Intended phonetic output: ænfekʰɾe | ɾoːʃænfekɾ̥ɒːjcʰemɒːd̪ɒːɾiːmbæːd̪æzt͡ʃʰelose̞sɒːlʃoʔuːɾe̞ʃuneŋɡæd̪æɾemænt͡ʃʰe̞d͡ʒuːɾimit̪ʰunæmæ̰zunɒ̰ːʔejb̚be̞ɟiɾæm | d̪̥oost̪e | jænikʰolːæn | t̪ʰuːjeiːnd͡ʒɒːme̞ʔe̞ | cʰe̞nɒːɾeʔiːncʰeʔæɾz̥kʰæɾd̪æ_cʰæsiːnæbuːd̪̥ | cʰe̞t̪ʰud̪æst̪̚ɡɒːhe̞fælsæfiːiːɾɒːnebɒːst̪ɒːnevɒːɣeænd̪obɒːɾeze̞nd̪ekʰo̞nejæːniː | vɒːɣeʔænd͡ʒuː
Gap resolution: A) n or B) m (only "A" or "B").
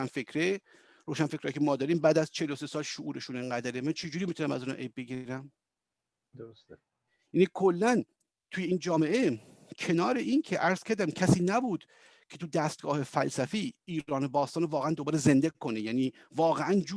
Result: B